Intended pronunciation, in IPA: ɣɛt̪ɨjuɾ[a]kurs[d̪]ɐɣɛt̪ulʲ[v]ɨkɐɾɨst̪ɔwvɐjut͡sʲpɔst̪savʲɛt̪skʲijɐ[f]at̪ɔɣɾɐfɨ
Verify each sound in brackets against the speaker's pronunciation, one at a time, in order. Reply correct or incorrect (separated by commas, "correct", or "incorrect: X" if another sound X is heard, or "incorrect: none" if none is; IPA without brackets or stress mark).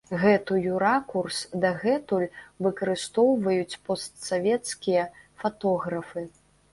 correct, correct, correct, correct